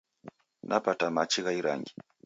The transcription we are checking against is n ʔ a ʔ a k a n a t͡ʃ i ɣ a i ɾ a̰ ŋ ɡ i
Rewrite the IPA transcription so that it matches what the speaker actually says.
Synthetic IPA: n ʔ a p a t a m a t͡ʃ i ɣ a i ɾ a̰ ŋ ɡ i